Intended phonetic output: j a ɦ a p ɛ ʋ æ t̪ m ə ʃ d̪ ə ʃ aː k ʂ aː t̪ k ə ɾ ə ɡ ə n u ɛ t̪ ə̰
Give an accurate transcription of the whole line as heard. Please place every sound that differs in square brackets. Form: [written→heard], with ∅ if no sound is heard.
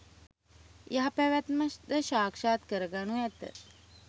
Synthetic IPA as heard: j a ɦ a p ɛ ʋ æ t̪ m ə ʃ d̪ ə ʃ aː k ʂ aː t̪ k ə ɾ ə ɡ [ə→a] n u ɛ t̪ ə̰